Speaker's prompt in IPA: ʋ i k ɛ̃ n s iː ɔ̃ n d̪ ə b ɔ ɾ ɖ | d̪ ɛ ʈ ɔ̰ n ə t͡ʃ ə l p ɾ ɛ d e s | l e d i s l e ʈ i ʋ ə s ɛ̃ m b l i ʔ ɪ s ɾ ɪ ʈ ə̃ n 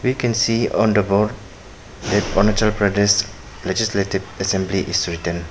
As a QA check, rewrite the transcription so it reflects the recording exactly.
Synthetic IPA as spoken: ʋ i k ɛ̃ n s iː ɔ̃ n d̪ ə b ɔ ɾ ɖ | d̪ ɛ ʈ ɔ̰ n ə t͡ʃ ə l p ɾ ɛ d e s | l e d͡ʒ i s l e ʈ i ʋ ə s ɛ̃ m b l i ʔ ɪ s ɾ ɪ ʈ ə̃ n